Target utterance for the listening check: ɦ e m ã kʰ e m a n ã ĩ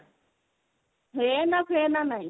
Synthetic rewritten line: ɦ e n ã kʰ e n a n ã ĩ